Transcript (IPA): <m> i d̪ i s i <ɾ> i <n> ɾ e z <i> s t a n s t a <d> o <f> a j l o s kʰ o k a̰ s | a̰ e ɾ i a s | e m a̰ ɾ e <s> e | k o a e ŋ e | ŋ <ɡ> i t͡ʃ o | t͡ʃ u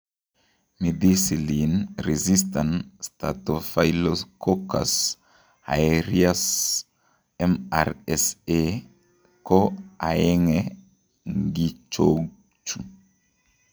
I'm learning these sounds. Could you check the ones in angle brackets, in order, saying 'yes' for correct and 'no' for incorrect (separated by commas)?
yes, no, yes, yes, no, yes, yes, yes